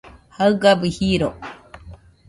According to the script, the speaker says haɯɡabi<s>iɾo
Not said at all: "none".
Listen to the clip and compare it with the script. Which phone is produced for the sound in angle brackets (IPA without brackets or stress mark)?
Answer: h